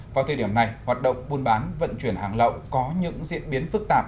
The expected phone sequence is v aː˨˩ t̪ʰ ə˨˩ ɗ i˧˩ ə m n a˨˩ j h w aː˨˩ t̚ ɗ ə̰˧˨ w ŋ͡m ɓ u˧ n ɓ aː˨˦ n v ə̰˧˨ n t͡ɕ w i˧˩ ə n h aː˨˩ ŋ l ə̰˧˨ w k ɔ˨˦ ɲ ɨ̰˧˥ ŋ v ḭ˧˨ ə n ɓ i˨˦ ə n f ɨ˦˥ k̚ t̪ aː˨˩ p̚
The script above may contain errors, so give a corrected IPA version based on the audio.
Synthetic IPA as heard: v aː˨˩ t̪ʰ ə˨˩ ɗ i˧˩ ə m n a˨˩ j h w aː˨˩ t̚ ɗ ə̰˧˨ w ŋ͡m ɓ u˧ n ɓ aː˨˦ n v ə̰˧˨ n t͡ɕ w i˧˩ ə n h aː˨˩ ŋ l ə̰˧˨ w k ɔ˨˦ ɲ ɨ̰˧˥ ŋ z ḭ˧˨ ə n ɓ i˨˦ ə n f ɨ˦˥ k̚ t̪ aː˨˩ p̚